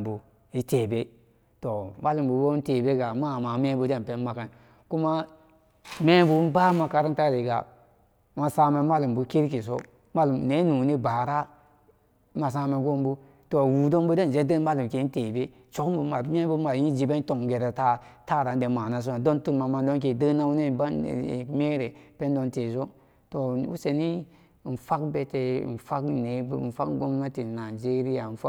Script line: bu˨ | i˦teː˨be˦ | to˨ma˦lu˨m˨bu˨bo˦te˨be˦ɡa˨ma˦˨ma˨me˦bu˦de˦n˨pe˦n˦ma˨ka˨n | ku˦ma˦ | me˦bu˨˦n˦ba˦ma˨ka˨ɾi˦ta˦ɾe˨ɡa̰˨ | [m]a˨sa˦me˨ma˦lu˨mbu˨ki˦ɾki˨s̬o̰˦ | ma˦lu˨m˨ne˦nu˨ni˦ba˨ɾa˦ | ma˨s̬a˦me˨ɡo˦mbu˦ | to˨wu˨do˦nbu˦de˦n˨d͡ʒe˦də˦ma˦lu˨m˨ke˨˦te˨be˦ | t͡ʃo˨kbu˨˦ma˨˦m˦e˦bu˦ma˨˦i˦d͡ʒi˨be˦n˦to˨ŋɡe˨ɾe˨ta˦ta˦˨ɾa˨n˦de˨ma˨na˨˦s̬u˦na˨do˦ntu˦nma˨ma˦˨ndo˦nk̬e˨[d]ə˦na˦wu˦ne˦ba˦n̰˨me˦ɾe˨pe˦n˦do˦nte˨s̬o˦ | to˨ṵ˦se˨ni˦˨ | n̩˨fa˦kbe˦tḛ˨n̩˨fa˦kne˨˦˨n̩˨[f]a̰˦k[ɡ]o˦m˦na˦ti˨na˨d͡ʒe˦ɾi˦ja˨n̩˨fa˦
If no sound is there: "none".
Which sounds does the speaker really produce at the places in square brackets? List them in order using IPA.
m, d, f, ɡ

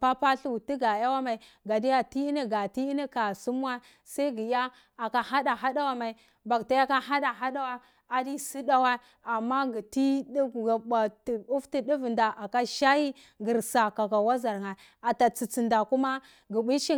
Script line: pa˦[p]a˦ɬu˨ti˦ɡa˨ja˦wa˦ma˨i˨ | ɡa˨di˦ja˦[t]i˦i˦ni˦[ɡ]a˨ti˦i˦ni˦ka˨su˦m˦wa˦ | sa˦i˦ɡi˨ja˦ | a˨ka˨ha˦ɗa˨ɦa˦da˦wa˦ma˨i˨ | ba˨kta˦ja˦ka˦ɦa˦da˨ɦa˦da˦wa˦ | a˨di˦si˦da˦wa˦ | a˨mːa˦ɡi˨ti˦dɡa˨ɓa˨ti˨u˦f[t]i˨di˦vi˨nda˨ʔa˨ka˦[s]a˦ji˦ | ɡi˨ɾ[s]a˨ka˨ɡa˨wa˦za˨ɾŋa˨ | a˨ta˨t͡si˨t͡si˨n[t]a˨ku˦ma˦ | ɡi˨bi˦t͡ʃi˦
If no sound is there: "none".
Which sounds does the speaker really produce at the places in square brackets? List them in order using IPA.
p, t, ɡ, t, ʃ, s, d

